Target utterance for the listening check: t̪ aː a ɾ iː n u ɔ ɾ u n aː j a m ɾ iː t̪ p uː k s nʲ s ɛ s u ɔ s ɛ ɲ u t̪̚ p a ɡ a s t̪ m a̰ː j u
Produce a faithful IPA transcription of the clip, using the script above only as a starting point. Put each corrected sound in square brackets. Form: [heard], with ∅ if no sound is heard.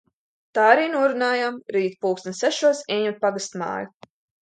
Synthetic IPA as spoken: t̪ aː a ɾ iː n u ɔ ɾ u n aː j a m ɾ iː t̪ p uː k s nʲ s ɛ [ʃ] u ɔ s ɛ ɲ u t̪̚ p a ɡ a s t̪ m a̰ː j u